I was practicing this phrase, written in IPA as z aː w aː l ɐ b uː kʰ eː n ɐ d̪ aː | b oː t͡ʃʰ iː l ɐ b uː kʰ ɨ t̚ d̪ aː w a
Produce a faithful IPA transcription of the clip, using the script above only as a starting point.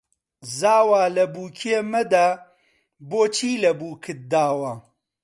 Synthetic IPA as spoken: z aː w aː l ɐ b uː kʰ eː m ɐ d̪ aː | b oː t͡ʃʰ iː l ɐ b uː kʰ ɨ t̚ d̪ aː w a